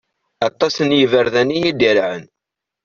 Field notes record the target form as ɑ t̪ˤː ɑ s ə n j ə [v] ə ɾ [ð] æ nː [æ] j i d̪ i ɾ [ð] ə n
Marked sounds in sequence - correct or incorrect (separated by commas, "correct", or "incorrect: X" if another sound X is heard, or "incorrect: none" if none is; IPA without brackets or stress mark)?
correct, correct, incorrect: i, incorrect: ʕ